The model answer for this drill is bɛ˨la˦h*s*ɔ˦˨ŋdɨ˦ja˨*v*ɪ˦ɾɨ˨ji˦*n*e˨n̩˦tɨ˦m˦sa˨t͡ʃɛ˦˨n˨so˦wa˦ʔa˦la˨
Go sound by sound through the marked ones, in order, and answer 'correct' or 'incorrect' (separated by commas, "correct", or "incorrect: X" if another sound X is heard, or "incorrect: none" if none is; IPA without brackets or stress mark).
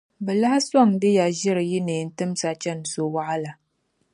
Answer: correct, incorrect: ʒ, correct